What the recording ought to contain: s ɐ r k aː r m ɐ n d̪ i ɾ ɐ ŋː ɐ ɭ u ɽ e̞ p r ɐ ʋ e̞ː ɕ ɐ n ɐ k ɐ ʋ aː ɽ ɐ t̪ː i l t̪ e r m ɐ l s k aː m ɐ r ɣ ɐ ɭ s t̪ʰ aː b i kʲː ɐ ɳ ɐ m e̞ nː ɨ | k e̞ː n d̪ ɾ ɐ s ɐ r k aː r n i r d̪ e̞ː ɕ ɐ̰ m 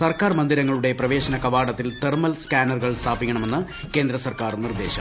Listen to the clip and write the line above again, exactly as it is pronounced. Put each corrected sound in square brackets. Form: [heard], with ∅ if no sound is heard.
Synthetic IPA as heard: s ɐ r k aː r m ɐ n d̪ i ɾ ɐ ŋː ɐ ɭ u ɽ e̞ p r ɐ ʋ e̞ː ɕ ɐ n ɐ k ɐ ʋ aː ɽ ɐ t̪ː i l t̪ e r m ɐ l s k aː [n] ɐ r ɣ ɐ ɭ s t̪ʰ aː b i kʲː ɐ ɳ ɐ m e̞ nː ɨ | k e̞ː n d̪ ɾ ɐ s ɐ r k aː r n i r d̪ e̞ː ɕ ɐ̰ m